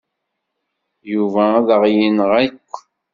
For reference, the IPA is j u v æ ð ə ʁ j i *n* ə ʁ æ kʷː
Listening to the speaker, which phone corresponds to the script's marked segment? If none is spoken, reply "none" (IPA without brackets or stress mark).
n